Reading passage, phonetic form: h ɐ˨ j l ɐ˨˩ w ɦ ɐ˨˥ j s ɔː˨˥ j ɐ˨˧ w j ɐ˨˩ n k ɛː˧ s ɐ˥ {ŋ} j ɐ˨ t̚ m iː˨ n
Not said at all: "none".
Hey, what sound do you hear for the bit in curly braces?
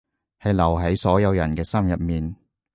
m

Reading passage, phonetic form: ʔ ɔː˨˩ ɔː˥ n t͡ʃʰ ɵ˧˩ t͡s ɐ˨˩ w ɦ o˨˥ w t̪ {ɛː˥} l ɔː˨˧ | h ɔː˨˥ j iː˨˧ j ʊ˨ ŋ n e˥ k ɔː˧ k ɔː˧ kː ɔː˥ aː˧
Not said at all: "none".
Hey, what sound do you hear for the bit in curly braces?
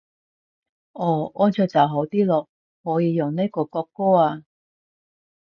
iː˥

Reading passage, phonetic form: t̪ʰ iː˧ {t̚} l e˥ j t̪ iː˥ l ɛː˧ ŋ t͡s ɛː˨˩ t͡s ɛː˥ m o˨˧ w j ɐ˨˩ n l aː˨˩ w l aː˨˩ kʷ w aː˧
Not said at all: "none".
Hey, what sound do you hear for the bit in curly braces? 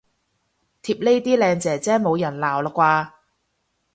p̚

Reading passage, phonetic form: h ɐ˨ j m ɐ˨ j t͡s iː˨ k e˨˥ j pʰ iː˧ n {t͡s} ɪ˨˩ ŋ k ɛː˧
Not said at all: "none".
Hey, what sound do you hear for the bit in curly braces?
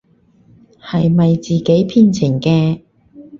t͡sʰ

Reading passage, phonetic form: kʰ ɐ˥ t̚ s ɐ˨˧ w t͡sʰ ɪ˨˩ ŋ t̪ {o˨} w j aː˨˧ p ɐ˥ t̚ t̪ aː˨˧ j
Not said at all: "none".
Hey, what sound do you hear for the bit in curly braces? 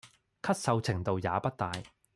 o˨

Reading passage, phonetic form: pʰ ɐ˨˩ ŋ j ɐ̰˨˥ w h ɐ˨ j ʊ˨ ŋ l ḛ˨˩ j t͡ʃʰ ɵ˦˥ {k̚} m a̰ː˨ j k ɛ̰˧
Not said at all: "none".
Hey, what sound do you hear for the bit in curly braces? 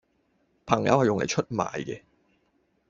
t̚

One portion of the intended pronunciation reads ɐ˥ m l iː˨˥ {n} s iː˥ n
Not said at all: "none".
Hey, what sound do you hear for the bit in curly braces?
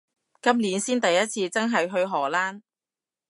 n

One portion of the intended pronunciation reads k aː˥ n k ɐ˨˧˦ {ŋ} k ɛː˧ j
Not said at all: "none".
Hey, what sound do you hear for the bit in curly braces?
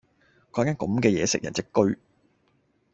m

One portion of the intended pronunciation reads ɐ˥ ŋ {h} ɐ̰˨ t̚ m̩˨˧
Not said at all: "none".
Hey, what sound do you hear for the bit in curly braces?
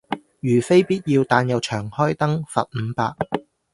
f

